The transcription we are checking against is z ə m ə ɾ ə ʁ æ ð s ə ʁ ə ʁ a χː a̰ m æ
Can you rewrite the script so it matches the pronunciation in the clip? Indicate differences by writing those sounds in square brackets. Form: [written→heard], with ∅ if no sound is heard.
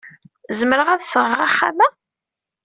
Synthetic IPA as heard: z ə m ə ɾ ə ʁ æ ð s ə ʁ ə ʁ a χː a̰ m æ